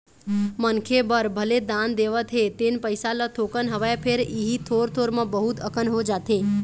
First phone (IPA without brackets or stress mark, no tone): m